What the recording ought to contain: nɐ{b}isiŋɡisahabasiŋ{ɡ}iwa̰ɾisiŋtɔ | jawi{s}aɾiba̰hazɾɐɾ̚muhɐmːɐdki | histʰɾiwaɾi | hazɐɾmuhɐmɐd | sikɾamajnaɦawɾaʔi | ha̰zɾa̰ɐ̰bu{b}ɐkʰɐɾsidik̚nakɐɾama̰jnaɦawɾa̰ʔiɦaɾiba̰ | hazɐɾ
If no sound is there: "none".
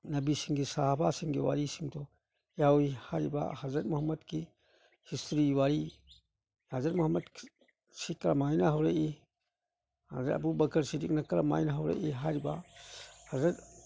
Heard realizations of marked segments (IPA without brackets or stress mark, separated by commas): b, ɡ, h, b